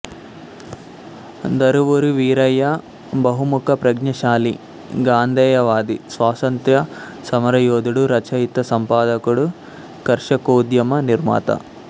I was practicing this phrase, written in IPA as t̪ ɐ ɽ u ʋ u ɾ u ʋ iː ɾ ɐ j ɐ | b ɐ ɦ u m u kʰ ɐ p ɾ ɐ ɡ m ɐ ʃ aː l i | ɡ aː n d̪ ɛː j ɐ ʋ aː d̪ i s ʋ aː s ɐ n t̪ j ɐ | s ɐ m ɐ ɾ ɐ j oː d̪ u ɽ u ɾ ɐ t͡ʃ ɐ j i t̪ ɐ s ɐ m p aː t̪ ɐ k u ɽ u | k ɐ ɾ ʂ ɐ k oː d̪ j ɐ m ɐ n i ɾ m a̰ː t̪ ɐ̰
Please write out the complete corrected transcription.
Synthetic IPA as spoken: d̪ ɐ ɾ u ʋ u ɾ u ʋ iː ɾ ɐ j ɐ | b ɐ ɦ u m u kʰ ɐ p ɾ ɐ ɡ ɲ ɐ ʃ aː l i | ɡ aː n d̪ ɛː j ɐ ʋ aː d̪ i s ʋ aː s ɐ n t̪ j ɐ | s ɐ m ɐ ɾ ɐ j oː d̪ u ɽ u ɾ ɐ t͡ʃ ɐ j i t̪ ɐ s ɐ m p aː d̪ ɐ k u ɽ u | k ɐ ɾ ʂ ɐ k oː d̪ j ɐ m ɐ n i ɾ m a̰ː t̪ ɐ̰